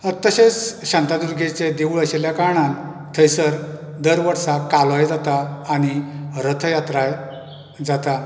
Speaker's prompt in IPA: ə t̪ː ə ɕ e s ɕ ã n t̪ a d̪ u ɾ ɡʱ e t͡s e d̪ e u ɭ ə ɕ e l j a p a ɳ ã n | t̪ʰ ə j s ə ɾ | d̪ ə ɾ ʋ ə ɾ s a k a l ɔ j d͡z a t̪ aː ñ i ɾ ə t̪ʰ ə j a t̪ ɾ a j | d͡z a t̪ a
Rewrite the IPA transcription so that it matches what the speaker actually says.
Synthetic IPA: ə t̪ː ə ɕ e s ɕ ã n t̪ a d̪ u ɾ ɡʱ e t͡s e d̪ e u ɭ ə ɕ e l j a k a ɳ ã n | t̪ʰ ə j s ə ɾ | d̪ ə ɾ ʋ ə ɾ s a k a l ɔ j d͡z a t̪ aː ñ i ɾ ə t̪ʰ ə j a t̪ ɾ a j | d͡z a t̪ a